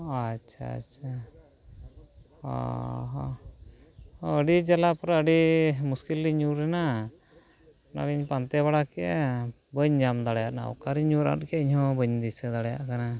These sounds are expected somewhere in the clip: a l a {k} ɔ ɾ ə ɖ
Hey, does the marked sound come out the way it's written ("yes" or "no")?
no